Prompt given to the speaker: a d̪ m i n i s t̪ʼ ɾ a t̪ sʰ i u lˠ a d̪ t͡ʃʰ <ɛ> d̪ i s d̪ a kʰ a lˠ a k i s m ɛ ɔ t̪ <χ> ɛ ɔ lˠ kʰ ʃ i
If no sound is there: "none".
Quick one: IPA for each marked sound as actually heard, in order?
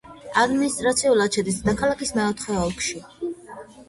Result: ɛ, χ

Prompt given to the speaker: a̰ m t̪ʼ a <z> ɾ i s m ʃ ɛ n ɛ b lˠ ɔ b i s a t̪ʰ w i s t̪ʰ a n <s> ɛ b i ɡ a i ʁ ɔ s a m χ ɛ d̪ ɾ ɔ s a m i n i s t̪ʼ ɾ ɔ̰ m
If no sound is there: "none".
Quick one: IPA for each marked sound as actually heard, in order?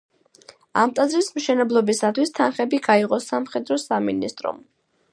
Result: z, χ

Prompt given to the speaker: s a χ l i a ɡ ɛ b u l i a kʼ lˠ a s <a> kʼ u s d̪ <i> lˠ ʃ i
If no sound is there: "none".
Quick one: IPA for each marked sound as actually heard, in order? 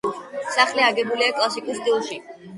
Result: i, i

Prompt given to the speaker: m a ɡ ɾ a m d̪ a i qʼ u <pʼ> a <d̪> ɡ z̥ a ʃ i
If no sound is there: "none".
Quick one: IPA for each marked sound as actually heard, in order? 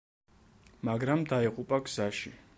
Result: pʼ, none

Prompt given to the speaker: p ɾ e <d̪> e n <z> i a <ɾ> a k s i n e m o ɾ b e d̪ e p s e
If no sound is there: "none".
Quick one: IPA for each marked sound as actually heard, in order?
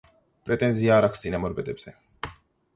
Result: t̪, z, ɾ

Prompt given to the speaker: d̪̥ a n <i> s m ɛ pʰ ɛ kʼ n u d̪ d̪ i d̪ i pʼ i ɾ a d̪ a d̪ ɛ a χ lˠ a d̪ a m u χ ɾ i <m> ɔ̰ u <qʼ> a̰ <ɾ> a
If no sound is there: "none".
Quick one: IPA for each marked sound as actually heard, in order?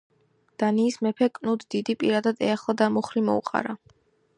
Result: iː, m, qʼ, ɾ

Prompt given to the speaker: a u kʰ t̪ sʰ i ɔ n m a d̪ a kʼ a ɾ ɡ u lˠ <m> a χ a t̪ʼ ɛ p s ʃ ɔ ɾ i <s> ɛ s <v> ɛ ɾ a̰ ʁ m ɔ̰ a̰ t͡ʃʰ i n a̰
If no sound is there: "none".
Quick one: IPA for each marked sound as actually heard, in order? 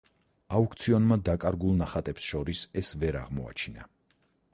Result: n, s, v

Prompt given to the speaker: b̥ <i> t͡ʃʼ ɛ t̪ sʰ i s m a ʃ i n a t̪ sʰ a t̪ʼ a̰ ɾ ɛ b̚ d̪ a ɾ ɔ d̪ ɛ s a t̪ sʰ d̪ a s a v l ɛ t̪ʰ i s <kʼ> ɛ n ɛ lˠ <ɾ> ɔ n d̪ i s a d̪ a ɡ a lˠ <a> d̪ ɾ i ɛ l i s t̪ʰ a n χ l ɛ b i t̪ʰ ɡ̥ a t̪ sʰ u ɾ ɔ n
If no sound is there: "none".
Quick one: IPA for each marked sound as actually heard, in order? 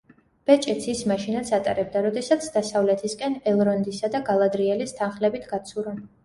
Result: ɛ, kʼ, ɾ, a

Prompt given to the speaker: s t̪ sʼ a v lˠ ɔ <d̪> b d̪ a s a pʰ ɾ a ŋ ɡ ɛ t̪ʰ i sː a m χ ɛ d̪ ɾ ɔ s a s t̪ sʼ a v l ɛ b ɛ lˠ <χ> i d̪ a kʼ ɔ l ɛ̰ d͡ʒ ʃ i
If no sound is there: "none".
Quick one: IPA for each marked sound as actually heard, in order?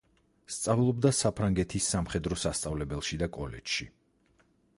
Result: none, ʃ

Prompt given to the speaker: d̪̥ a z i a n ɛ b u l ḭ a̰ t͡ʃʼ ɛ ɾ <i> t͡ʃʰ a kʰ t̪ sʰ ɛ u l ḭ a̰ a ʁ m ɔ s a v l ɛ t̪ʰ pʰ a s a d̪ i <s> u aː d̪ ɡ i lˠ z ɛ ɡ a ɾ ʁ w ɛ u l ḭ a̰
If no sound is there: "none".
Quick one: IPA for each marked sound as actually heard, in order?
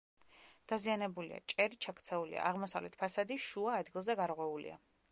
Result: i, ʃ

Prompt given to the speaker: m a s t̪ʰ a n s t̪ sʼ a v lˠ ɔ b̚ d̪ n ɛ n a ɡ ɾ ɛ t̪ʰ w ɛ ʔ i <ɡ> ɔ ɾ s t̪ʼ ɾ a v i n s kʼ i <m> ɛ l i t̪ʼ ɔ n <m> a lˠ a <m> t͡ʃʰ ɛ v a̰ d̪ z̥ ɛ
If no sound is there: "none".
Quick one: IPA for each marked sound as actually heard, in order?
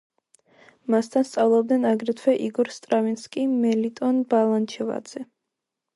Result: ɡ, m, b, n

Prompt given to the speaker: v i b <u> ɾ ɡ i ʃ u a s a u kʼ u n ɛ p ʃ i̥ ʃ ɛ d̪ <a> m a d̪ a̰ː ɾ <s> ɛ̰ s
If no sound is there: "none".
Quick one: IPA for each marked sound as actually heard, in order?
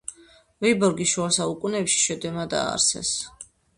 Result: ɔ, ɛ, s

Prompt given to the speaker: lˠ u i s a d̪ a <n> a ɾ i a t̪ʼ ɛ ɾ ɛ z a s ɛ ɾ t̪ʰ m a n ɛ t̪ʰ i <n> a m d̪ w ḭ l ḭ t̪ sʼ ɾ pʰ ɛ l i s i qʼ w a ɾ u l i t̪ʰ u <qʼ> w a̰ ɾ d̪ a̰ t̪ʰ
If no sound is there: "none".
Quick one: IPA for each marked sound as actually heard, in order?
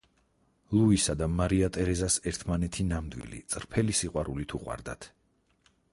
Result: m, n, qʼ

